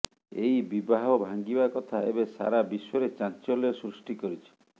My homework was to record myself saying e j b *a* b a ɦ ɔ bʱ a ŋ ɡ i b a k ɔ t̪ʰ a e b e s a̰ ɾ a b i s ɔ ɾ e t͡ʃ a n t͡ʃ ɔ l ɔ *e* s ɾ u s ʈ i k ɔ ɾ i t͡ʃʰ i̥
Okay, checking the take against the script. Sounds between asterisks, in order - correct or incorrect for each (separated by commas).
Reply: incorrect, correct